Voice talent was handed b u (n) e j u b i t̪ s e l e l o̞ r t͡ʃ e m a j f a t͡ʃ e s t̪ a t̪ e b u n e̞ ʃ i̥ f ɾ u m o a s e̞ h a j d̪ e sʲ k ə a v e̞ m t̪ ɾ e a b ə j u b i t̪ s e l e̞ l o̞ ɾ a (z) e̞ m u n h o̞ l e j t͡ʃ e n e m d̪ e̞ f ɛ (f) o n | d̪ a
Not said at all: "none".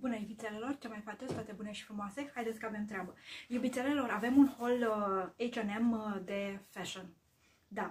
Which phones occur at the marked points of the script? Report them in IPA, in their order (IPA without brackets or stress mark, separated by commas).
n, v, ʃ